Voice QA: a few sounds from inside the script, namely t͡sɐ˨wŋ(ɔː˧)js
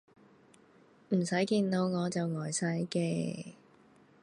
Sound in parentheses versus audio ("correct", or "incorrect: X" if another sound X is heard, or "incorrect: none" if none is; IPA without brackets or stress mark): incorrect: ɔː˨˩